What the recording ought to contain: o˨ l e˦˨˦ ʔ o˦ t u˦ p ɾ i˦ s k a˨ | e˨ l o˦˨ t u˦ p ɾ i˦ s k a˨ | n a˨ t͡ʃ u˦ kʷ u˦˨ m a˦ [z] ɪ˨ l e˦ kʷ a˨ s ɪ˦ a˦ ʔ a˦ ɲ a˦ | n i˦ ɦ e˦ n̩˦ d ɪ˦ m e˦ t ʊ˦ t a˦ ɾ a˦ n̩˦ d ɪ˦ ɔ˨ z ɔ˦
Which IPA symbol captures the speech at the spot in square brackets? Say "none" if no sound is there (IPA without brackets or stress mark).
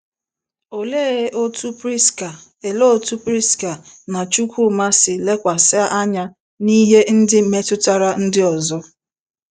s